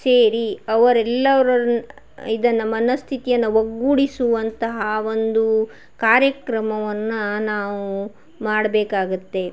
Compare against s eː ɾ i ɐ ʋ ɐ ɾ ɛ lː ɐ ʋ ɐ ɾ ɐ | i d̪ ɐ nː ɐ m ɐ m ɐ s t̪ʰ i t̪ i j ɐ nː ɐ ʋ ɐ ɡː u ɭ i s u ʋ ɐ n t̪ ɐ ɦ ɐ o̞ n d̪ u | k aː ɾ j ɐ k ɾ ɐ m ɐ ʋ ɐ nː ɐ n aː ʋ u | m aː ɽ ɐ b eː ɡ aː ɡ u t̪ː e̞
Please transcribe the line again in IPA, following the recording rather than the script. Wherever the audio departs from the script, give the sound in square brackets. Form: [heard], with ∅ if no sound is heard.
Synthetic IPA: s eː ɾ i ɐ ʋ ɐ ɾ ɛ lː ɐ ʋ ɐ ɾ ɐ | i d̪ ɐ nː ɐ m ɐ [n] ɐ s t̪ʰ i t̪ i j ɐ nː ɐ ʋ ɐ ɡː u [ɽ] i s u ʋ ɐ n t̪ ɐ ɦ ɐ o̞ n d̪ u | k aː ɾ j ɐ k ɾ ɐ m ɐ ʋ ɐ nː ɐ n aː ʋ u | m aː ɽ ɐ b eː [k] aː ɡ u t̪ː e̞